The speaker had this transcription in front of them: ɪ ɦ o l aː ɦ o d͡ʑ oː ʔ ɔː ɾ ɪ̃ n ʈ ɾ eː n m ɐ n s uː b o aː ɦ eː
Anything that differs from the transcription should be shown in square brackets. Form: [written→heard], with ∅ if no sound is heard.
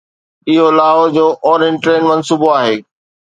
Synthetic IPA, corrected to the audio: ɪ ɦ o l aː ɦ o d͡ʑ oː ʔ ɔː ɾ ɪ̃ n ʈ ɾ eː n m ɐ n s uː b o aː ɦ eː